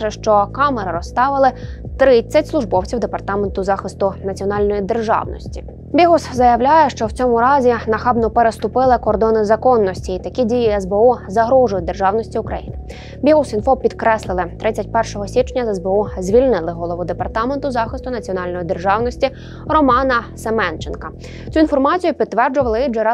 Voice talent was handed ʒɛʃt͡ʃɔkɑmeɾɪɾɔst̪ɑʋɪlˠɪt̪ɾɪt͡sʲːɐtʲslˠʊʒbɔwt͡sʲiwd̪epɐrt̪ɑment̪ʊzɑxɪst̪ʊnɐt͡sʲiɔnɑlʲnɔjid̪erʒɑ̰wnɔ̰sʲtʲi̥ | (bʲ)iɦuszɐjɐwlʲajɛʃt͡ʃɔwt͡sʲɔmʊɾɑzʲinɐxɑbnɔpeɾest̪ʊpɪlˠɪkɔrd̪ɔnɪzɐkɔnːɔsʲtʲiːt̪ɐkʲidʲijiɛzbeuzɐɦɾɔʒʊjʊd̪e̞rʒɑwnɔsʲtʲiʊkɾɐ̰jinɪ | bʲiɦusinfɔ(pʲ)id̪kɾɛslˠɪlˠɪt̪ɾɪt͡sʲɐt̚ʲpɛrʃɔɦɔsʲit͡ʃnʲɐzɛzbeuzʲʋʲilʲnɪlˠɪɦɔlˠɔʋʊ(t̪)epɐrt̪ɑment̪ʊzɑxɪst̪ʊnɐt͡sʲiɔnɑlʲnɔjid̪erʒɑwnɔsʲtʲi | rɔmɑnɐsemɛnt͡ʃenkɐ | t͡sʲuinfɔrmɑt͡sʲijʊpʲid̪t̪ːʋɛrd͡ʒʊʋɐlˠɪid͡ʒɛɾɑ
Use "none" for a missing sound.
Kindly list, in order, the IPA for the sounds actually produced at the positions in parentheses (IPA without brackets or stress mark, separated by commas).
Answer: bʲ, pʲ, d̪